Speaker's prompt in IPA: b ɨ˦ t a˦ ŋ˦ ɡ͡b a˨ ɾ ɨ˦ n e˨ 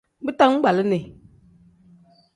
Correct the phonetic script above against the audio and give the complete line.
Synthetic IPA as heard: b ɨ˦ t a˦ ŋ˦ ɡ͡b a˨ l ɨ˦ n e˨